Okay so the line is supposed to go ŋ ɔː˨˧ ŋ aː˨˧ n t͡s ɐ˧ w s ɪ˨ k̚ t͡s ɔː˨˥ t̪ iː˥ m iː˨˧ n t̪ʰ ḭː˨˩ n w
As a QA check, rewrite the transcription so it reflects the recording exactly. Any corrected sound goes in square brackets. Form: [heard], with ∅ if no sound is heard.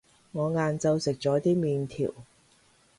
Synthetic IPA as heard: ŋ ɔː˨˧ ŋ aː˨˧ n t͡s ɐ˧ w s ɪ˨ k̚ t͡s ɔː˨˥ t̪ iː˥ m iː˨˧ n t̪ʰ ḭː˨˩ [∅] w

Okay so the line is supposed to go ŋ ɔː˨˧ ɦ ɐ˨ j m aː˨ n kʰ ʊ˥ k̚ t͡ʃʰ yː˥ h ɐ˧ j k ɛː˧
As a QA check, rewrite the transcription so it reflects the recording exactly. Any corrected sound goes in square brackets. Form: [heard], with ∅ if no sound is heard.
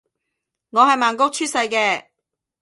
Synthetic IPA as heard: ŋ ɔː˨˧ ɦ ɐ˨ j m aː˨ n [k] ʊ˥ k̚ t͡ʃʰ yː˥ [s] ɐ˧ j k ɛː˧

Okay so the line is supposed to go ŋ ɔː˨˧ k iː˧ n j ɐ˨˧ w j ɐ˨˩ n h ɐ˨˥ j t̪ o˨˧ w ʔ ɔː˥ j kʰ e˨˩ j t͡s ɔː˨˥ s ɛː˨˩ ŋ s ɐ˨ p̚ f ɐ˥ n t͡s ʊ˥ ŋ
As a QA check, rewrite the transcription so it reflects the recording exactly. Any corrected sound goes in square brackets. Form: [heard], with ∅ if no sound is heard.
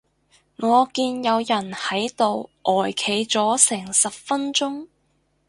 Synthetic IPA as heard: ŋ ɔː˨˧ k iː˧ n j ɐ˨˧ w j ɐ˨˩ n h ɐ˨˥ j t̪ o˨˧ w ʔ [ɔː˨˩] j kʰ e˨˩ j t͡s ɔː˨˥ s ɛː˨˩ ŋ s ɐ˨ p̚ f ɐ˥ n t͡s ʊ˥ ŋ

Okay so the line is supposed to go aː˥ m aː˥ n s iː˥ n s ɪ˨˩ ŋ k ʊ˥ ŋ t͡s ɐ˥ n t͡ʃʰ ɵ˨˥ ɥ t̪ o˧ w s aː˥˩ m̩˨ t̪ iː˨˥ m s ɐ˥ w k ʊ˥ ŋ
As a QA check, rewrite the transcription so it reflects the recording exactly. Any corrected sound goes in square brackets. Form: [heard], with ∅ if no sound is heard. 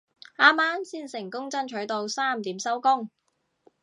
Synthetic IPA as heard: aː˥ m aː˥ n s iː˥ n s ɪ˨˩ ŋ k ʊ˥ ŋ t͡s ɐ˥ n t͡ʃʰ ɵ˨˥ ɥ t̪ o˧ w s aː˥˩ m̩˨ t̪ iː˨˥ m s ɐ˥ w k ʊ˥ ŋ

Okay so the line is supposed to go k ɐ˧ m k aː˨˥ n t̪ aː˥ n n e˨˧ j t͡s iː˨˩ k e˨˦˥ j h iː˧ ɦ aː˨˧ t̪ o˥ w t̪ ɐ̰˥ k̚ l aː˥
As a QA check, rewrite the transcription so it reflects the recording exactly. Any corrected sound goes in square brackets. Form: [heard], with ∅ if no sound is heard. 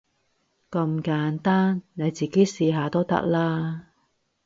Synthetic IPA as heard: k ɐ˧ m k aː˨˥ n t̪ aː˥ n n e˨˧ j t͡s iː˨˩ k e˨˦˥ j [s] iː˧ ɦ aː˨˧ t̪ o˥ w t̪ ɐ̰˥ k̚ l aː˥

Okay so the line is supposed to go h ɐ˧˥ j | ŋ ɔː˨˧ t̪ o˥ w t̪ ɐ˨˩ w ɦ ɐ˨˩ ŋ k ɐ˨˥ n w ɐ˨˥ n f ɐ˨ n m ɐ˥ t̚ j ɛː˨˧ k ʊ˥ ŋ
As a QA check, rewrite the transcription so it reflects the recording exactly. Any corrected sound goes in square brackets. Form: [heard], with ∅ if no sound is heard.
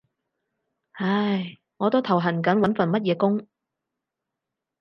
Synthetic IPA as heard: h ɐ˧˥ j | ŋ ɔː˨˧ t̪ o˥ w [t̪ʰ] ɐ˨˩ w ɦ ɐ˨˩ [n] k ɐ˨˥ n w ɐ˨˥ n f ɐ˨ n m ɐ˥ t̚ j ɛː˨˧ k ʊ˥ ŋ

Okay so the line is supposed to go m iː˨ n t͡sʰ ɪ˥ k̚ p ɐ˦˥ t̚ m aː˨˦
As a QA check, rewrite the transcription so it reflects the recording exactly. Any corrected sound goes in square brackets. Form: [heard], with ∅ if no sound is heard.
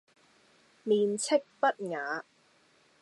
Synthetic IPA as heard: m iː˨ n t͡sʰ ɪ˥ k̚ p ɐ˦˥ t̚ [ŋ] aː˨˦

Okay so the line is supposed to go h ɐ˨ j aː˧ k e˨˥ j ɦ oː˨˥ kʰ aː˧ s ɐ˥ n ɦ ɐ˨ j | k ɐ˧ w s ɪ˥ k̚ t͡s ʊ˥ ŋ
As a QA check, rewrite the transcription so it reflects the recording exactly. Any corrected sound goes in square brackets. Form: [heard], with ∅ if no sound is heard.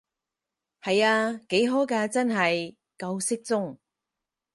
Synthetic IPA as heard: h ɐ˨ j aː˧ k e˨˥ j ɦ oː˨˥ [k] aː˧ [t͡s] ɐ˥ n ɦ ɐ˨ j | k ɐ˧ w s ɪ˥ k̚ t͡s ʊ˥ ŋ

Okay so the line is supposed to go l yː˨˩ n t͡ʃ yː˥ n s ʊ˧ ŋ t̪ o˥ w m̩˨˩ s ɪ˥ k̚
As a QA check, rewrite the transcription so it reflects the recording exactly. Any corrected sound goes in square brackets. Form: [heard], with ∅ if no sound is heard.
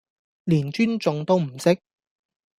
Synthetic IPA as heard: l [iː˨˩] n t͡ʃ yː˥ n [t͡s] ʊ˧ ŋ t̪ o˥ w m̩˨˩ s ɪ˥ k̚

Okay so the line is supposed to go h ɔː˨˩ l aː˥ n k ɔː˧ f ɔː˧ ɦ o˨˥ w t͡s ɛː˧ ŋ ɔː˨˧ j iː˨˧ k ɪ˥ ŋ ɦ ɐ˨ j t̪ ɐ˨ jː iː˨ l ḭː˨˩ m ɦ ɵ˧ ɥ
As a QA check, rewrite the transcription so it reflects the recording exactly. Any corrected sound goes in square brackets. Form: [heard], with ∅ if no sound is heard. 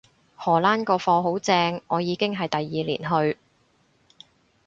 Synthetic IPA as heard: h ɔː˨˩ l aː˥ n k ɔː˧ f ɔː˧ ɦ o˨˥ w t͡s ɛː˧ ŋ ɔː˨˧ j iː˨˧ k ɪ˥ ŋ ɦ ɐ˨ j t̪ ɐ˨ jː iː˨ l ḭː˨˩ [n] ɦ ɵ˧ ɥ

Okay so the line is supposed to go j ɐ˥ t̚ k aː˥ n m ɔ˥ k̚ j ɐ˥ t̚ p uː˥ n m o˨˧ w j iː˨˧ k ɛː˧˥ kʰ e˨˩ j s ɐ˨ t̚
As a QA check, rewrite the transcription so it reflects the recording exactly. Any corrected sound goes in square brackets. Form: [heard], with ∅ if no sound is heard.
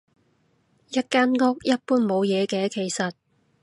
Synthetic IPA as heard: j ɐ˥ t̚ k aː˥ n [ŋ] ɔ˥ k̚ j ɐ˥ t̚ p uː˥ n m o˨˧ w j [ɛː˨˧] k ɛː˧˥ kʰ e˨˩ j s ɐ˨ t̚

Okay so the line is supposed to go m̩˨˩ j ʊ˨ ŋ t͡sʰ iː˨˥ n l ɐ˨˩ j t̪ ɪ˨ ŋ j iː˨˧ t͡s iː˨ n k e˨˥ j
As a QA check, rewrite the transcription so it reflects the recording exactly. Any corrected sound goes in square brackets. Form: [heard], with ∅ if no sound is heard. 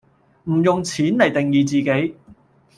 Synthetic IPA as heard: m̩˨˩ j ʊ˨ ŋ t͡sʰ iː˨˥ n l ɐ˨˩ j t̪ ɪ˨ ŋ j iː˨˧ t͡s iː˨ [∅] k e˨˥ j

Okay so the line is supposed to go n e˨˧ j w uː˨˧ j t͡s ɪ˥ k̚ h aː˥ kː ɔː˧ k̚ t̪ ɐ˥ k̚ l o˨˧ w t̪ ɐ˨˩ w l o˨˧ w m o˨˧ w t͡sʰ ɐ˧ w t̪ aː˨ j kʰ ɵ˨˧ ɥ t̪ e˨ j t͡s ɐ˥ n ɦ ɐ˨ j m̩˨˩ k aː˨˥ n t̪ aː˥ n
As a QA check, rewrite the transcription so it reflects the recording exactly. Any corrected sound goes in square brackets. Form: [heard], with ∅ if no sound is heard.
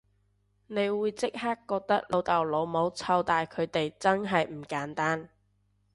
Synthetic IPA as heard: n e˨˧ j w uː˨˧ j t͡s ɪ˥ k̚ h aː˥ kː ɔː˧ k̚ t̪ ɐ˥ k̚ l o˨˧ w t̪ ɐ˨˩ w l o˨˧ w m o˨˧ w t͡sʰ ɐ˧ w t̪ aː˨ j kʰ ɵ˨˧ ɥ t̪ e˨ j t͡s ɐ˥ n ɦ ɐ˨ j m̩˨˩ k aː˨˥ n t̪ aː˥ n

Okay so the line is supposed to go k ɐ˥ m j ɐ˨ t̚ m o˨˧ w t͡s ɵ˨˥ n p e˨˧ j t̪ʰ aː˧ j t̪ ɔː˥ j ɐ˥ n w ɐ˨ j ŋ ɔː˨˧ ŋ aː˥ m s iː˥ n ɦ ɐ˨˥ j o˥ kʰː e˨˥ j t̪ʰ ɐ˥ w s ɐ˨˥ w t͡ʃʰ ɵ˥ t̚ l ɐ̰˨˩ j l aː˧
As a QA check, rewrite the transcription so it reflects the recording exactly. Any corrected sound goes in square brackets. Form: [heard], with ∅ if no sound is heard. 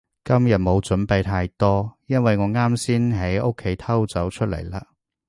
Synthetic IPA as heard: k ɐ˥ m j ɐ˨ t̚ m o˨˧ w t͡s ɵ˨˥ n p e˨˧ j t̪ʰ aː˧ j t̪ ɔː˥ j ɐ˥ n w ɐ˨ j ŋ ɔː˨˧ ŋ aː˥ m s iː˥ n ɦ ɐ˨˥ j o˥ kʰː e˨˥ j t̪ʰ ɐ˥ w [t͡s] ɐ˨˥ w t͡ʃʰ ɵ˥ t̚ l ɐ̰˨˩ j l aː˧

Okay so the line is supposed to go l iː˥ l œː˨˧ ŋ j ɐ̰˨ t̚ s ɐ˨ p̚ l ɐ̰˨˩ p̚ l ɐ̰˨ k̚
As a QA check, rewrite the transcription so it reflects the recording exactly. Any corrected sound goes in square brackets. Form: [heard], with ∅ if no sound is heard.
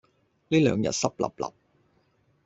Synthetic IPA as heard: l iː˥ l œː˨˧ ŋ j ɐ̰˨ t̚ s [ɐ˥] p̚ l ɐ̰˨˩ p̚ l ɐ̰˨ [p̚]

